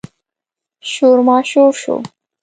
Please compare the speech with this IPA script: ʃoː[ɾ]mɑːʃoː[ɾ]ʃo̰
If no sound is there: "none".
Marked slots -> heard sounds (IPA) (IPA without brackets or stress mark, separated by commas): ɾ, ɾ